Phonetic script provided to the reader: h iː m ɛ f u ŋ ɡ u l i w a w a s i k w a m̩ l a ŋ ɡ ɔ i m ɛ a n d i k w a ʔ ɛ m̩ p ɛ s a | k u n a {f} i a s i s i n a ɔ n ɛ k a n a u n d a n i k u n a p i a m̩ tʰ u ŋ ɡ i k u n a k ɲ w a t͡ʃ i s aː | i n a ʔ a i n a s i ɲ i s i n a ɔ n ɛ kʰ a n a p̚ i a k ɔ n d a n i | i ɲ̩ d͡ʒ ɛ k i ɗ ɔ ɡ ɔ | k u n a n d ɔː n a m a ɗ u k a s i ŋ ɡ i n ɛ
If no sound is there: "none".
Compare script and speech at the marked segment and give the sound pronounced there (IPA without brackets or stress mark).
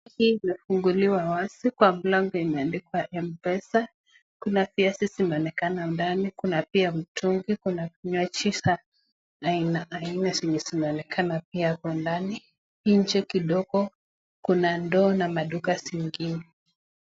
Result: f